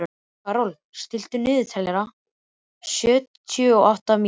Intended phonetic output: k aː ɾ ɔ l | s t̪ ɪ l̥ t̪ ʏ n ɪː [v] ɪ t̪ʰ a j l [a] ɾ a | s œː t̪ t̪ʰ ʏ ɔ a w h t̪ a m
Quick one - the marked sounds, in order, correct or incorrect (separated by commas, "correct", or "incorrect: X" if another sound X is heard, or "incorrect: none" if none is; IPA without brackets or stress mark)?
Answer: incorrect: ð, incorrect: ɛ